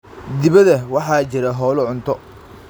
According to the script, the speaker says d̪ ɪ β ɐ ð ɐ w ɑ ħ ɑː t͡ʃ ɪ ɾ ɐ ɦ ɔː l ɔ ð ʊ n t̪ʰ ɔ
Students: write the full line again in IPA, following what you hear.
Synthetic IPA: d̪ ɪ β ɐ ð ɐ w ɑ ħ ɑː t͡ʃ ɪ ɾ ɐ ɦ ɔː l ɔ ʕ ʊ n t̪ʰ ɔ